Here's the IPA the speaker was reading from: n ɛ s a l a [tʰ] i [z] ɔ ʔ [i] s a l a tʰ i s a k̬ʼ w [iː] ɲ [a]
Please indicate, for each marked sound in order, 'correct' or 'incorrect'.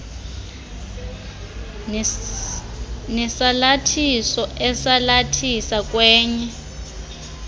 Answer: correct, incorrect, incorrect, incorrect, incorrect

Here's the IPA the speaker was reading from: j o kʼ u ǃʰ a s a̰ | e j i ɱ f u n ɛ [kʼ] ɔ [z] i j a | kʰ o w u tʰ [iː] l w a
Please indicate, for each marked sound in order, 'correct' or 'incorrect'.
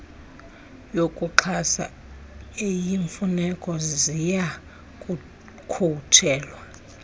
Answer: correct, correct, incorrect

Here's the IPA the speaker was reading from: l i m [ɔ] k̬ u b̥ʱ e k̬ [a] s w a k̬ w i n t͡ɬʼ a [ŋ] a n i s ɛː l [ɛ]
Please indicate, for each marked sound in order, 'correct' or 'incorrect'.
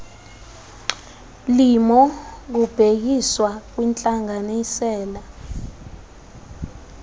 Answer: correct, incorrect, correct, incorrect

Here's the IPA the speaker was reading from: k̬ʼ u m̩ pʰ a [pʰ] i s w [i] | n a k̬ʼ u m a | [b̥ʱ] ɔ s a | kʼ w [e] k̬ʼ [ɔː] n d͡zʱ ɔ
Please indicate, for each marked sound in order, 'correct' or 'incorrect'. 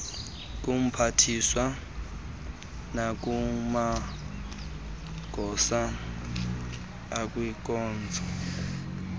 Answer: incorrect, incorrect, incorrect, incorrect, correct

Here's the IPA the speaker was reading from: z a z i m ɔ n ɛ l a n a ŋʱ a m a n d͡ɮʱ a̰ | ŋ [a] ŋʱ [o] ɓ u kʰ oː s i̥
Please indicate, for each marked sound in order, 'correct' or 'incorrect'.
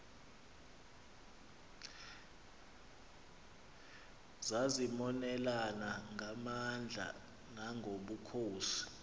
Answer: correct, correct

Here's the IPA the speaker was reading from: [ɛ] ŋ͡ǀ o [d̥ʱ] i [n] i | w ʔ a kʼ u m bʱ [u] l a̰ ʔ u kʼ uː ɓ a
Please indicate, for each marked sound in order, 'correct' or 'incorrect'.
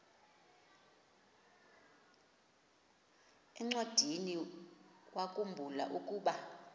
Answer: correct, correct, correct, correct

